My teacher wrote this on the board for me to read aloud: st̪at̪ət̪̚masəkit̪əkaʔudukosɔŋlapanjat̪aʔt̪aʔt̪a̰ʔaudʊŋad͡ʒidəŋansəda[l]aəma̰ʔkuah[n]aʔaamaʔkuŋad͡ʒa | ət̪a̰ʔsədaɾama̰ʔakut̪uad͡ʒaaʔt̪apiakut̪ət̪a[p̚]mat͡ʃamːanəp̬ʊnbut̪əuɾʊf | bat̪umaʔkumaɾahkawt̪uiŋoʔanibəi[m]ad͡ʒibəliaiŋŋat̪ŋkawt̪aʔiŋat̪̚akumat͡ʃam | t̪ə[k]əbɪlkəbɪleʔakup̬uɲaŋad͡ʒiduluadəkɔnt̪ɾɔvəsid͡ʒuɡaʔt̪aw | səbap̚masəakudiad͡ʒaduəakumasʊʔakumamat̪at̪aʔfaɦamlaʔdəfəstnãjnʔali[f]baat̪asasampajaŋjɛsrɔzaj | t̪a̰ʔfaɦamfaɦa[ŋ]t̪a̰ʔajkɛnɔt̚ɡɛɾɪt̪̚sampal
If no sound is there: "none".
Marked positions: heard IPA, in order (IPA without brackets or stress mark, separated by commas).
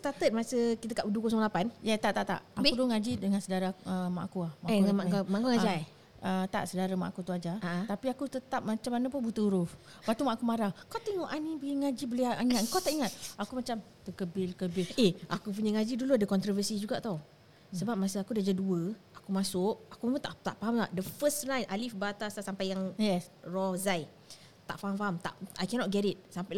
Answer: ɾ, m, p̚, ŋ, k, f, m